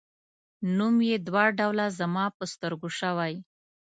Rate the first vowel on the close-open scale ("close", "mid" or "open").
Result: close